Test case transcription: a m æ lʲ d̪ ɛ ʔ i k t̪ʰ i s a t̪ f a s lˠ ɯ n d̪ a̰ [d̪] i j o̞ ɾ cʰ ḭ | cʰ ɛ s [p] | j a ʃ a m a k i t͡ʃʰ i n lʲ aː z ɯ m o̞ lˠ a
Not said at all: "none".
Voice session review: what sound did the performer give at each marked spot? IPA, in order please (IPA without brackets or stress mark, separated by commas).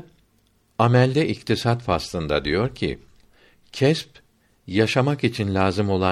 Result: d̪, p